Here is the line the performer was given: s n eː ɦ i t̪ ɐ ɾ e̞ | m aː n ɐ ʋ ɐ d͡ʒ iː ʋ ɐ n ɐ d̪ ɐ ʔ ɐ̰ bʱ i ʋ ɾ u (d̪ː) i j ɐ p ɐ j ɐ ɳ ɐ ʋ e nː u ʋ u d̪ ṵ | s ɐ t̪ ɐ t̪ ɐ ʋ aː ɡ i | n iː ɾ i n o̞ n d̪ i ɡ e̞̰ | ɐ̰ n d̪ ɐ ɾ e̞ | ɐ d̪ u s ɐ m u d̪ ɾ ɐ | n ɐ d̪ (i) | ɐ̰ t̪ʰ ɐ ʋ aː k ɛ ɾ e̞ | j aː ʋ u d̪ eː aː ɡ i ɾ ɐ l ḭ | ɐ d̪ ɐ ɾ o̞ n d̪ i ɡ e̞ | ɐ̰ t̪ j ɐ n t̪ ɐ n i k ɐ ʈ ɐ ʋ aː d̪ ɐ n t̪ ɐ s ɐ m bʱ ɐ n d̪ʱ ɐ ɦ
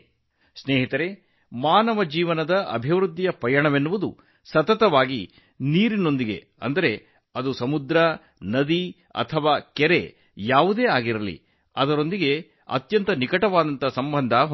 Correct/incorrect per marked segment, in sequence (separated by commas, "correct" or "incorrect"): correct, correct